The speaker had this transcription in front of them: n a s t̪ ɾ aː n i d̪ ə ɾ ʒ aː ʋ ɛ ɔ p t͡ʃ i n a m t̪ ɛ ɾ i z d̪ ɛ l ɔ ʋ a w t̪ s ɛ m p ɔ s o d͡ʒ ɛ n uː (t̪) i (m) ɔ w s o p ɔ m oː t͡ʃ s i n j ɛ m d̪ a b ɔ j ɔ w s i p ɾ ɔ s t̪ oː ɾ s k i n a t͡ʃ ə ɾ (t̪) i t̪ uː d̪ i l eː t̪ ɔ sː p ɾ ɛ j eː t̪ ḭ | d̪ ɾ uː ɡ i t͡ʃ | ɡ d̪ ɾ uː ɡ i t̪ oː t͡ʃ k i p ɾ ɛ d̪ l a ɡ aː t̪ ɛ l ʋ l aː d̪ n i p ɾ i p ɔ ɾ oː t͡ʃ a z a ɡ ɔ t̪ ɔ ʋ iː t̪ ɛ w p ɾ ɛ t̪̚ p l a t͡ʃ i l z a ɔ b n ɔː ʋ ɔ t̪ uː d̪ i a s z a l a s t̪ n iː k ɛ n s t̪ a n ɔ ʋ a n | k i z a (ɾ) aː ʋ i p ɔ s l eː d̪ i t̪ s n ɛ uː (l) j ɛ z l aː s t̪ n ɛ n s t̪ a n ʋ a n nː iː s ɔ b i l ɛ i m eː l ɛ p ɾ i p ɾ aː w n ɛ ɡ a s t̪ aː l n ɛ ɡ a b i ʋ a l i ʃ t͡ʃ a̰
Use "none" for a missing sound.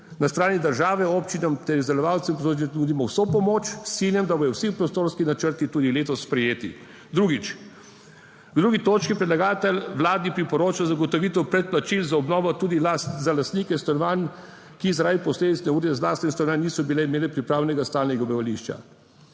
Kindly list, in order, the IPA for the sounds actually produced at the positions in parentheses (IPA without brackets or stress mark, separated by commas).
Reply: d̪, m, t̪, ɾ, ɾ